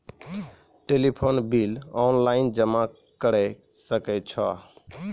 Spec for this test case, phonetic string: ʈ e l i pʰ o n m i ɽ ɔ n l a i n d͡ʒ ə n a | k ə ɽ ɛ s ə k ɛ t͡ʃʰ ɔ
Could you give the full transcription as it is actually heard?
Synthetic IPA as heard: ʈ e l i pʰ o n b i l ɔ n l a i n d͡ʒ ə m a | k ə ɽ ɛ s ə k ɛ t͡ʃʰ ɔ